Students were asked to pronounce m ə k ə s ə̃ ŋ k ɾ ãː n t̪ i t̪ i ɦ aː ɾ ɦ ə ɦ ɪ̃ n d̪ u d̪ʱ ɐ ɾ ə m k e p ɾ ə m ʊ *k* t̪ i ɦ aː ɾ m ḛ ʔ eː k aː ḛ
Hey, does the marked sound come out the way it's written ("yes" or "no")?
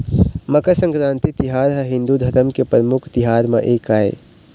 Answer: no